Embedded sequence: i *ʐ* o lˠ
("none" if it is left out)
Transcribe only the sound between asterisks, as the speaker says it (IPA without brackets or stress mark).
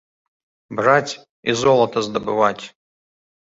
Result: z